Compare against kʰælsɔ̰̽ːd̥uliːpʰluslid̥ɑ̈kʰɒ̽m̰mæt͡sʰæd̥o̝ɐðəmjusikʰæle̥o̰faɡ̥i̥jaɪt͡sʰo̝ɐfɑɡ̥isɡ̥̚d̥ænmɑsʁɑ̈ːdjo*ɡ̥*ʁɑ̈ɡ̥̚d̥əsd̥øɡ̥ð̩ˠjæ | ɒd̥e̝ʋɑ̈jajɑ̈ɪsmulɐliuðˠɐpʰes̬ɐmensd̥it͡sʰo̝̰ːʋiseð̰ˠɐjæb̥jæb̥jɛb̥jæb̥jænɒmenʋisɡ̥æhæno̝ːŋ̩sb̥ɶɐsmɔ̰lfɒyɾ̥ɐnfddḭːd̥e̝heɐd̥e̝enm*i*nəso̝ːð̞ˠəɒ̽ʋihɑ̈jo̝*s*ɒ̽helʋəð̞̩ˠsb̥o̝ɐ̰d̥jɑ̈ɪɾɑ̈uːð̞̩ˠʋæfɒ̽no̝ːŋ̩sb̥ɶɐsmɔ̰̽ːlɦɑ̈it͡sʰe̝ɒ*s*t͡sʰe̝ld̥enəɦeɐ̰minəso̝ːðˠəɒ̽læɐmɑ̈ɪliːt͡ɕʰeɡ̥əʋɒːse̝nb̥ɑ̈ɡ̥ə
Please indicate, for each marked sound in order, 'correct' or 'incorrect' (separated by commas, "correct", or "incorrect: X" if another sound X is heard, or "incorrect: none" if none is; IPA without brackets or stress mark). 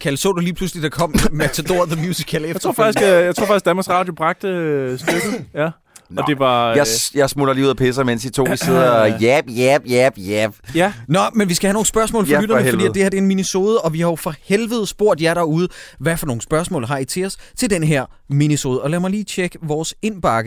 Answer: incorrect: b̥, correct, incorrect: f, correct